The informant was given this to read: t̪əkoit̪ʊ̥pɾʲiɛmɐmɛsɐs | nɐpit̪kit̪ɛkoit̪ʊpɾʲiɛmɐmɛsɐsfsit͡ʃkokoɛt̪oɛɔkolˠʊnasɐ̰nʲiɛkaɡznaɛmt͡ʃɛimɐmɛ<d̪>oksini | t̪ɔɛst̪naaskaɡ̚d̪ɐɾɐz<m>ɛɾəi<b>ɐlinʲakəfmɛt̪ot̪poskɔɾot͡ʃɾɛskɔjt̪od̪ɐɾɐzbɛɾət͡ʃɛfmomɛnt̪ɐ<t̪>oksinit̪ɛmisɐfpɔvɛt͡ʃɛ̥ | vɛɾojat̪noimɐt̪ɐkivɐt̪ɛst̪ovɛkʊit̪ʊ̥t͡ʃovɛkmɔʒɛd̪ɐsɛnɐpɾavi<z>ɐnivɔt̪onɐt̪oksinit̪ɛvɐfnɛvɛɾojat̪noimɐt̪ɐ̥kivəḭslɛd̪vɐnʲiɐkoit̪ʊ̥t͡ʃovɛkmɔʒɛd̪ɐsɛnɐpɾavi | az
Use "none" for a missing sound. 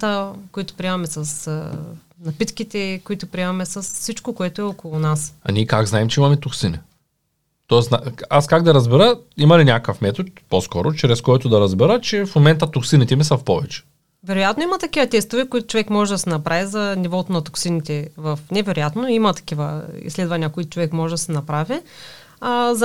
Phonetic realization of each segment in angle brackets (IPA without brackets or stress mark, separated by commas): t̪, b, m, t̪, z